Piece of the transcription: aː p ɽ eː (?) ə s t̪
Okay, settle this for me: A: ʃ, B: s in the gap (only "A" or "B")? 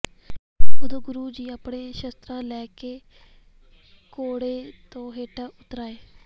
A